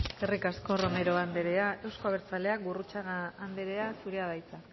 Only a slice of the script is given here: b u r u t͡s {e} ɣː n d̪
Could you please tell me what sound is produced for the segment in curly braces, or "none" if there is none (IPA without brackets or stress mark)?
a